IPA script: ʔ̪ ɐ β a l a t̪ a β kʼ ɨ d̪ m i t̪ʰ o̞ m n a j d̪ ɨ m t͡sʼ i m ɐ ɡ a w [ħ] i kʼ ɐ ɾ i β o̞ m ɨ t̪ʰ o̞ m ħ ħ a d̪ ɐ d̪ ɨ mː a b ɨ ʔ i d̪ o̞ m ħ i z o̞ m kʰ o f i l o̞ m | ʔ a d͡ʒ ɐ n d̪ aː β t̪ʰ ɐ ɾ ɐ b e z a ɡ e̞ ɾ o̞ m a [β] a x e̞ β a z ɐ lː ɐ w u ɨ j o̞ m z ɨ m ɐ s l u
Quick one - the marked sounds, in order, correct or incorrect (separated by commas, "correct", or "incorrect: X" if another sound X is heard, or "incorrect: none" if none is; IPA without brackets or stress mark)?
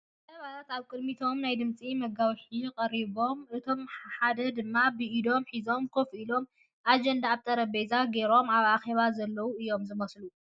correct, correct